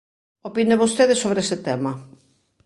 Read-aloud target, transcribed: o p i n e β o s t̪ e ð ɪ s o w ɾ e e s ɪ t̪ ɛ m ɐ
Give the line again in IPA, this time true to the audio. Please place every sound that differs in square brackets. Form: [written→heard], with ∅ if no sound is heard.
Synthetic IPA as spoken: o p i n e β o s t̪ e ð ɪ s o [w→β] ɾ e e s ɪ t̪ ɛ m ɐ